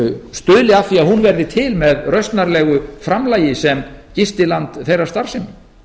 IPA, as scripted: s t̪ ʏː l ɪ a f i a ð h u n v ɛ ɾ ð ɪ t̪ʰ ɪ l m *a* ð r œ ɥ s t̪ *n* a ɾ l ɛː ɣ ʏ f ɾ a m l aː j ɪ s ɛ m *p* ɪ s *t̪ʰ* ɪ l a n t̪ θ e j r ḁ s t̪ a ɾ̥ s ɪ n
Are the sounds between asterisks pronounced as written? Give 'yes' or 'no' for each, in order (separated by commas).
no, yes, no, no